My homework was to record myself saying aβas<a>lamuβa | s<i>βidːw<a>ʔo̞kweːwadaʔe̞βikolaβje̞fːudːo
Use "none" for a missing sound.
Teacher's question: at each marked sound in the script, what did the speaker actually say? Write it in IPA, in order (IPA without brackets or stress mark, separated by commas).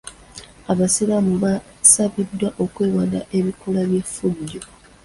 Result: i, a, a